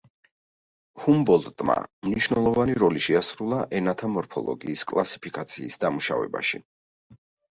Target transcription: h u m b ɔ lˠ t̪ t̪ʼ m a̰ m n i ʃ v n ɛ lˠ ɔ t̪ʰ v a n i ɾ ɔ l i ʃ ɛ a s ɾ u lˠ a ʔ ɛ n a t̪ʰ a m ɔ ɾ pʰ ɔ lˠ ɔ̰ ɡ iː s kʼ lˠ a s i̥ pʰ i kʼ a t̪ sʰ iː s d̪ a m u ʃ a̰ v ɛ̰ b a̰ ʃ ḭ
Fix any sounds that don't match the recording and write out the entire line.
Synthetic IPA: h u m b ɔ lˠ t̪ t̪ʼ m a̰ m n i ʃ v n ɛ lˠ ɔ v a n i ɾ ɔ l i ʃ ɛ a s ɾ u lˠ a ʔ ɛ n a t̪ʰ a m ɔ ɾ pʰ ɔ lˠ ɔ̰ ɡ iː s kʼ lˠ a s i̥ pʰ i kʼ a t̪ sʰ iː s d̪ a m u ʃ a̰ v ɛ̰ b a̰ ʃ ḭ